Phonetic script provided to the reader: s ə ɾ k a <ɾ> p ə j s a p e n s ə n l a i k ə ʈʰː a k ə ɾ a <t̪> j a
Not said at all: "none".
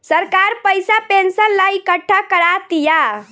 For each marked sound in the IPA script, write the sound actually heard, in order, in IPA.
ɾ, t̪

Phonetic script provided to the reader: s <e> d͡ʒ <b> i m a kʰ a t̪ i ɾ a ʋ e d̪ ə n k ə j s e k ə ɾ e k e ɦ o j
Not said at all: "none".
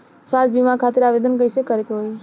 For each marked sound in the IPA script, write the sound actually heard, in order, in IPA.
a, b

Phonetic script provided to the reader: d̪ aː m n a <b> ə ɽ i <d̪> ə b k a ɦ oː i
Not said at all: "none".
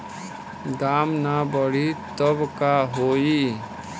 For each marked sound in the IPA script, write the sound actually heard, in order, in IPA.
b, t̪

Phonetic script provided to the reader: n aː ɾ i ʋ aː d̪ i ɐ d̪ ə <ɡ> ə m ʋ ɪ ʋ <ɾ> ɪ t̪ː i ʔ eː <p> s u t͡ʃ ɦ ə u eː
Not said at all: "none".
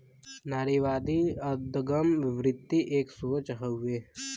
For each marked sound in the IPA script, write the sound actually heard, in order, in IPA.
ɡ, ɾ, k

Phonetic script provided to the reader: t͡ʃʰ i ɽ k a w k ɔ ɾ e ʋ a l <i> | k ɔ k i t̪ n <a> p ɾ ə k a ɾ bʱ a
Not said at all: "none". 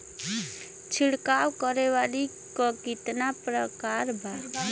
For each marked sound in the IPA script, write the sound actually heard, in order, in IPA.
i, a

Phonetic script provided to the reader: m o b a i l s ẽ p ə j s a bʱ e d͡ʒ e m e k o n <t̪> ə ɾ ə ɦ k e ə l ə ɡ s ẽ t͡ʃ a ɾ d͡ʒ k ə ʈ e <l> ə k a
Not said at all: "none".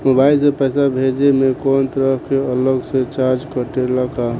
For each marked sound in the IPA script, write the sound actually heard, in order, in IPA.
t̪, l

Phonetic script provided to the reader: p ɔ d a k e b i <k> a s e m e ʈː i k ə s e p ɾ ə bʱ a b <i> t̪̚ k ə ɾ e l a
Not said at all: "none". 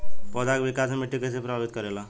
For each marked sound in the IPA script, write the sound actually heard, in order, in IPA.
k, i

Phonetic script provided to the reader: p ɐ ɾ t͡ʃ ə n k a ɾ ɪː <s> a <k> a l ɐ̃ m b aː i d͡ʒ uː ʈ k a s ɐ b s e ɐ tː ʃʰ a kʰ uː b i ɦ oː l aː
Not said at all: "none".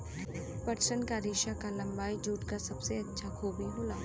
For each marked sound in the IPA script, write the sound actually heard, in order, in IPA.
ʃ, k

